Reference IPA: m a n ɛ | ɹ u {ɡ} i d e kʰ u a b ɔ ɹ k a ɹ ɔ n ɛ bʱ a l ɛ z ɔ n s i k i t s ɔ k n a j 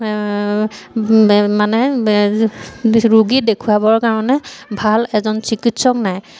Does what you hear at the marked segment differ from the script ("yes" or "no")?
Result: no